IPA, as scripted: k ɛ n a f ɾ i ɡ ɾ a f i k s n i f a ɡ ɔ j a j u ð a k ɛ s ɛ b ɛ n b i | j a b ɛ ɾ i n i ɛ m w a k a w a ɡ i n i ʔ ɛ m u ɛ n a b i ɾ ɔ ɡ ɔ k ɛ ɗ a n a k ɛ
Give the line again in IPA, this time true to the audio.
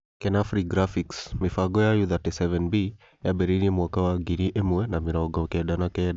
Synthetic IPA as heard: k ɛ n a f ɾ i ɡ ɾ a f i k s m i f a ɡ ɔ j a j u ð a t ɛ s ɛ v ɛ n b i | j a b ɛ ɾ i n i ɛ m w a k a w a ɡ i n i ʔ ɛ m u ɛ n a m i ɾ ɔ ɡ ɔ k ɛ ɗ a n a k ɛ